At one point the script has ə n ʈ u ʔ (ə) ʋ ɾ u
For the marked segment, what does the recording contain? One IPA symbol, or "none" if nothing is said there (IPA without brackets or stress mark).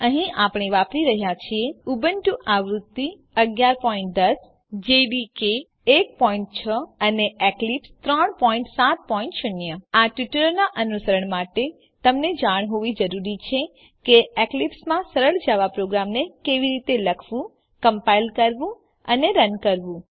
a